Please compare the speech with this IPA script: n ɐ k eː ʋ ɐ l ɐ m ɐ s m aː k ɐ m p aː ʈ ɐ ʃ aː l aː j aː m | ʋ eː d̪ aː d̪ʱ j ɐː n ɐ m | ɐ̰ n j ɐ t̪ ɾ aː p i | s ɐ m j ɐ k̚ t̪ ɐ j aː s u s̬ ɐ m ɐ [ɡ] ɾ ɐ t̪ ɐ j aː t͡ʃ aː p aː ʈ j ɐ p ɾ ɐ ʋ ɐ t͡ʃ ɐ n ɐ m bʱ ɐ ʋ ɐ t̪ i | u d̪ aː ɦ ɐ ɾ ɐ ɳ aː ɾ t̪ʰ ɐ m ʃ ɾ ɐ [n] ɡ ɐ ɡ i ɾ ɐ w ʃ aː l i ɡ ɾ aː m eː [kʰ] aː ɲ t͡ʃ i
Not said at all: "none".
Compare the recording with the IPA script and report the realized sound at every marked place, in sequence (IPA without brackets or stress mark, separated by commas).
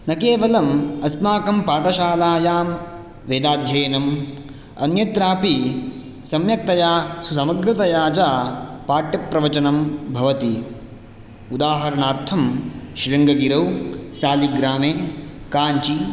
ɡ, ŋ, k